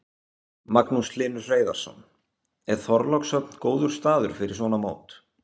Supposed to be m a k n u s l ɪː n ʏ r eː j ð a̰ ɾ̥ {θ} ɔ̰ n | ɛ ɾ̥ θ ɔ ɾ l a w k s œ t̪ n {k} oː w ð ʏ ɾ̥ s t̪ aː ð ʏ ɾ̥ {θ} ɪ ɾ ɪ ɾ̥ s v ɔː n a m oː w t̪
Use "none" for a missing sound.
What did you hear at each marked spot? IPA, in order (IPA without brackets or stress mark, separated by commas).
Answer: s, k, f